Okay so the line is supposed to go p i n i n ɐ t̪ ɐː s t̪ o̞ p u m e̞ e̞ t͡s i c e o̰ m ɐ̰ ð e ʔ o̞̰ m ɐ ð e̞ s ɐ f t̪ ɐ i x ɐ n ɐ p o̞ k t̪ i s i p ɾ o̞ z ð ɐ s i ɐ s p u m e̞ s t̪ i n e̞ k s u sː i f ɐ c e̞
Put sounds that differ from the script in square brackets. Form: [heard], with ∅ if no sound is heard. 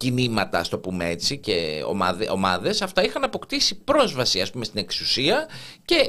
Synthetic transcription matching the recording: [c] i n i [m] ɐ t̪ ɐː s t̪ o̞ p u m e̞ e̞ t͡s i c e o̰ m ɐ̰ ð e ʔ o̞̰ m ɐ ð e̞ s ɐ f t̪ ɐ i x ɐ n ɐ p o̞ k t̪ i s i p ɾ o̞ z [v] ɐ s i ɐ s p u m e̞ s t̪ i n e̞ k s u [s] i [∅] ɐ c e̞